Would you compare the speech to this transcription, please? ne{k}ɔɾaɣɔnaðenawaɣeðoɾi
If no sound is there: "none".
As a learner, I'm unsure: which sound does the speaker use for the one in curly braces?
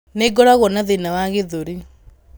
ɡ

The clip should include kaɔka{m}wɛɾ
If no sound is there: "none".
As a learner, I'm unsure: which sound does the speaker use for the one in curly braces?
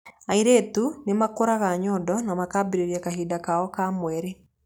m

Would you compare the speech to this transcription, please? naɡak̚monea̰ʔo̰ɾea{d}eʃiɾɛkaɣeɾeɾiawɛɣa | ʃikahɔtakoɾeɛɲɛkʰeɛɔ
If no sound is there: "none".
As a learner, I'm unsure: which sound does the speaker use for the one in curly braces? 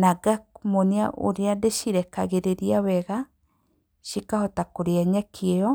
d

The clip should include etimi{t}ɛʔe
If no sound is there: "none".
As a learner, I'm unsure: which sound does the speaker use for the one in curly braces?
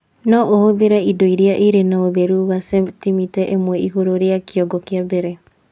t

